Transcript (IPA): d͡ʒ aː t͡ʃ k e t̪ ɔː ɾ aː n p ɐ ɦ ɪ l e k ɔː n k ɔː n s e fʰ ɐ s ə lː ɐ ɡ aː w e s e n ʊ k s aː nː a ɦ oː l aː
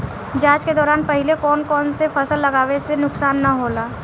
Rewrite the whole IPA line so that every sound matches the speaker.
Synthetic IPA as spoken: d͡ʒ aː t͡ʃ k e d̪ ɔː ɾ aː n p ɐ ɦ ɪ l e k ɔː n k ɔː n s e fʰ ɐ s ə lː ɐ ɡ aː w e s e n ʊ k s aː nː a ɦ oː l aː